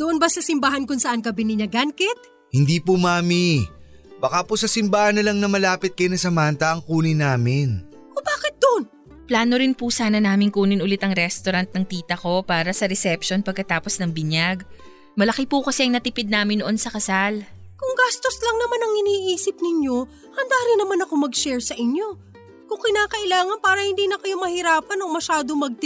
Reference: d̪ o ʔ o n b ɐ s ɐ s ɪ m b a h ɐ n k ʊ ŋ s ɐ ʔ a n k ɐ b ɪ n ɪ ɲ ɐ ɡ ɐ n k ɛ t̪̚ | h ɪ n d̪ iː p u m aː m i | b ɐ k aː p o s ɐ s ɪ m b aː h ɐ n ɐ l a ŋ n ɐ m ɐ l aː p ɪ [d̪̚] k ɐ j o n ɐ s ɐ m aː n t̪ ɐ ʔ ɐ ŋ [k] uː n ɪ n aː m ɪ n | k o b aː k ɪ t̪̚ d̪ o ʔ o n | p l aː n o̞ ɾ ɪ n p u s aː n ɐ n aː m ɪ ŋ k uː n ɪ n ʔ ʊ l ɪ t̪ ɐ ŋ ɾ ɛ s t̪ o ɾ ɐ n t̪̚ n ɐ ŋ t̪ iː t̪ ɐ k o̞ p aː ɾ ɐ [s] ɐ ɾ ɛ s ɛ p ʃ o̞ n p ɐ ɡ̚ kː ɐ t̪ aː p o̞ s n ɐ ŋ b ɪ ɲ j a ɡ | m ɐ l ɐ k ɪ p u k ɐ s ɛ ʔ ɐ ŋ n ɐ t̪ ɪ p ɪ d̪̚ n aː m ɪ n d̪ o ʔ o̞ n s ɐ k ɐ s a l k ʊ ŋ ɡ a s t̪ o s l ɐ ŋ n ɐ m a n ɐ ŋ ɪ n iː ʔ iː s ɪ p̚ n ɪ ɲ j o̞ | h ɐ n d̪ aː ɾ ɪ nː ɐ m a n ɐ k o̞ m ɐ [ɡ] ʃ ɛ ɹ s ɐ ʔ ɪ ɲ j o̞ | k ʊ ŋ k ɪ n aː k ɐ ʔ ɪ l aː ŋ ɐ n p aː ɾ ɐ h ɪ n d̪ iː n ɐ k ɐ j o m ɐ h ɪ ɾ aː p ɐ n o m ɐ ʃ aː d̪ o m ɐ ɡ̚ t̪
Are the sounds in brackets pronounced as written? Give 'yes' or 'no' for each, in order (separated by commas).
no, yes, yes, yes